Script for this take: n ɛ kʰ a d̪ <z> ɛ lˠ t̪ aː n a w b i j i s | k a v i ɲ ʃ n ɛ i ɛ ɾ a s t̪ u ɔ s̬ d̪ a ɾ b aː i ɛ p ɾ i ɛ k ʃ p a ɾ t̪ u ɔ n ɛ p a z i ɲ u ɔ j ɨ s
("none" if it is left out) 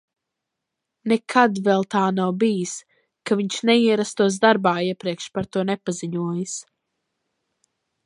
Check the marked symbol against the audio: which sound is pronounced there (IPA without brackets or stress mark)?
v